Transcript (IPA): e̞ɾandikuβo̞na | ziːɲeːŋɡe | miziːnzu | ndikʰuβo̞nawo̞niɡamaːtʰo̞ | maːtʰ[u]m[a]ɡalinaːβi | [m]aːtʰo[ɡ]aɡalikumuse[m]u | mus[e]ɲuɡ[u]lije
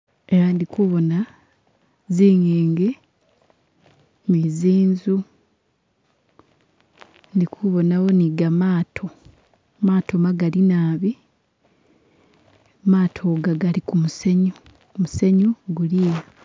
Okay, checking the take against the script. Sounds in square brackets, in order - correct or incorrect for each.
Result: incorrect, correct, correct, correct, incorrect, correct, correct

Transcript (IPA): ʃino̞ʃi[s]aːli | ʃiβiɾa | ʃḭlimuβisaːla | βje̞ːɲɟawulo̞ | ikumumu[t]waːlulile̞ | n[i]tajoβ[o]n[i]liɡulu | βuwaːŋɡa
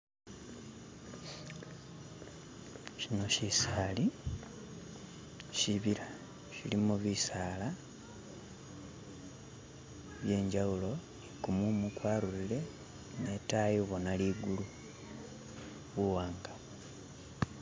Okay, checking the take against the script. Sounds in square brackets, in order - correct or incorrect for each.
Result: correct, incorrect, incorrect, correct, incorrect

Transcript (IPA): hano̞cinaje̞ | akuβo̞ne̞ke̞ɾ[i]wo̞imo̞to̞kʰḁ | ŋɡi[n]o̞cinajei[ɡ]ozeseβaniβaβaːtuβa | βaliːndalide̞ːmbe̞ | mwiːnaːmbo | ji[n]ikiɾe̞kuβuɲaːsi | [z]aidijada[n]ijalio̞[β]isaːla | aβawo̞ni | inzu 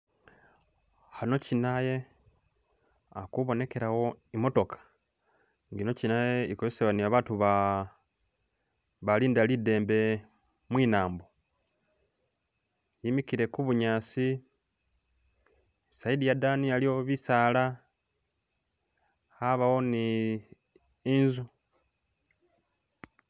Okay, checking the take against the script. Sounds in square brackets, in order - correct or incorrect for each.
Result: incorrect, correct, incorrect, incorrect, incorrect, correct, correct

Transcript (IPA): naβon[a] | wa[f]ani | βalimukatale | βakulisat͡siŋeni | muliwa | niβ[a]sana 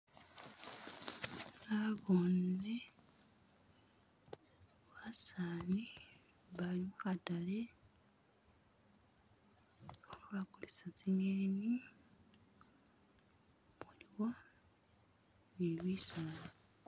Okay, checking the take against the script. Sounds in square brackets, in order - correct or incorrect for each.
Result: incorrect, incorrect, incorrect

